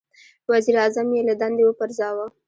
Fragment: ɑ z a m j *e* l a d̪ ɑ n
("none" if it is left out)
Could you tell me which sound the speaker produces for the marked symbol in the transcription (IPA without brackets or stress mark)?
e